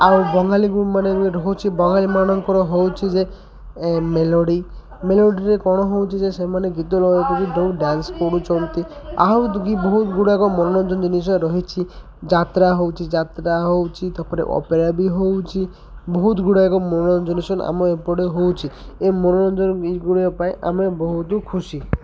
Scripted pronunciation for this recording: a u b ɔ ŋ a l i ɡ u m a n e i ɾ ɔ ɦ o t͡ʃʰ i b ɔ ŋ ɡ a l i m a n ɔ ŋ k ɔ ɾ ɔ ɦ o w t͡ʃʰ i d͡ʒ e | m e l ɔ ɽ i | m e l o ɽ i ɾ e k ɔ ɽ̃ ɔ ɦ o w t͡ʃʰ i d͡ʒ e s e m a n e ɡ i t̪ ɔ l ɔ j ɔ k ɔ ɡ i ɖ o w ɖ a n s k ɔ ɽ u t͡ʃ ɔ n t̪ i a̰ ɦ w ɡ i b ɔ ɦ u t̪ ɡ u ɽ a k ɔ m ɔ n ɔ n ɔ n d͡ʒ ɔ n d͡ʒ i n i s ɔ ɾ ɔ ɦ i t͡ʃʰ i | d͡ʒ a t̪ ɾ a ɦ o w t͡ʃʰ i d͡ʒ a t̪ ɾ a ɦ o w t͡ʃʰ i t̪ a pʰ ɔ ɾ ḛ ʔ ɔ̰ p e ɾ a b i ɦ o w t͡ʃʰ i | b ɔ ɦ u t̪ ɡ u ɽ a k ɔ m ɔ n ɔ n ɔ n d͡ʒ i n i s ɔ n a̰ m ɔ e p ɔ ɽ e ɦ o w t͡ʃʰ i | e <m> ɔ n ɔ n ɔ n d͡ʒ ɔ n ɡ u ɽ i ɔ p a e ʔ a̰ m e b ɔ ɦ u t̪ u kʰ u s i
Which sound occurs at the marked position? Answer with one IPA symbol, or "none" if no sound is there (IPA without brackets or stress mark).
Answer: m